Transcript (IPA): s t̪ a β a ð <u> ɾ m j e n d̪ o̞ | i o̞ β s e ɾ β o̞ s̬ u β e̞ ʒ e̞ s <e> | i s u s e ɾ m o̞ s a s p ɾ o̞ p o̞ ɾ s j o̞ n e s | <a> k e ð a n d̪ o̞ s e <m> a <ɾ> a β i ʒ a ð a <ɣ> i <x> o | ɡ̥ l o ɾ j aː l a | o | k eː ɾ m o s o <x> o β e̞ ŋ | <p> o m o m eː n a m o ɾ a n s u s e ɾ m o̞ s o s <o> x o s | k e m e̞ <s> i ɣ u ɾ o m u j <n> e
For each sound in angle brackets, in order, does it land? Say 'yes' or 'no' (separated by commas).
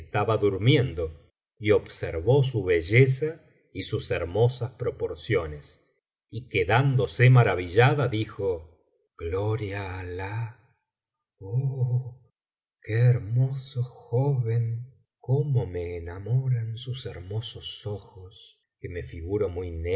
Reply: yes, no, no, yes, yes, no, yes, yes, no, yes, no, yes